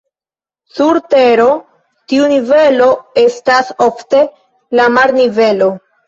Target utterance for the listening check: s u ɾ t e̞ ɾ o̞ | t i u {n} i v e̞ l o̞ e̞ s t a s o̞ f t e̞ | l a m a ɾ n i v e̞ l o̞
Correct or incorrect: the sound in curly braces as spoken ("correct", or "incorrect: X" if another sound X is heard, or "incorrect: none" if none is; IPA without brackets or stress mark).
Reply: correct